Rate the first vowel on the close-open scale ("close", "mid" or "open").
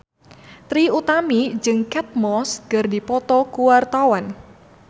close